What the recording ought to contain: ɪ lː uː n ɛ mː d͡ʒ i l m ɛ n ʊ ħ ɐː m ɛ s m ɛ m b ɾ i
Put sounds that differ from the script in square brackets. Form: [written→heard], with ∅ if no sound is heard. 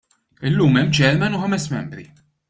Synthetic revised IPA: ɪ lː uː [n→m] ɛ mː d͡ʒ [i→ɛ] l m ɛ n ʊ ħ [ɐː→ɐ] m ɛ s m ɛ m b ɾ i